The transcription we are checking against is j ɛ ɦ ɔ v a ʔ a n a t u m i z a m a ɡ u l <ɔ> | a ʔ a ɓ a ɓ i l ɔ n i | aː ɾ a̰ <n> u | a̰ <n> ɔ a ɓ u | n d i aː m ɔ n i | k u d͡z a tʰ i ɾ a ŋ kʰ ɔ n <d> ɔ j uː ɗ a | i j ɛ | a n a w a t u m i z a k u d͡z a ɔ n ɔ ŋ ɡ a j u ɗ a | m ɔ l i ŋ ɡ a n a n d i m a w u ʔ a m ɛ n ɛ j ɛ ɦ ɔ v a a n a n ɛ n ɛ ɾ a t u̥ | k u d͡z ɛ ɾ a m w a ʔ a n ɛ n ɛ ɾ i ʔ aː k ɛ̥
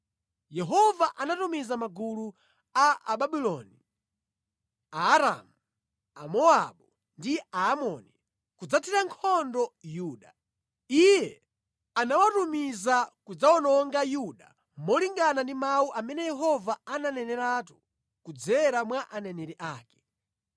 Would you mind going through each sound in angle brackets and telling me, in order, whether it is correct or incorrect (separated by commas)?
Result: incorrect, incorrect, incorrect, correct